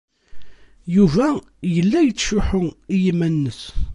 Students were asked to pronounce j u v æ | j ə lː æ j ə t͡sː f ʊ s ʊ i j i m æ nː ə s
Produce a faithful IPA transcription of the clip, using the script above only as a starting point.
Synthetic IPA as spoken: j u v æ | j ə lː æ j ə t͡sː ʃ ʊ ħ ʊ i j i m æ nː ə s